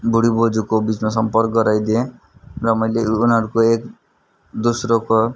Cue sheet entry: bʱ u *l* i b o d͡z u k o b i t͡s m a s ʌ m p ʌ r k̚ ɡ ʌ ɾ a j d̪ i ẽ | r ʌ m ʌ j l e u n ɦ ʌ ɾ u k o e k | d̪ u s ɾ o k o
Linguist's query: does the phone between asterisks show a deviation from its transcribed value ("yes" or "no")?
yes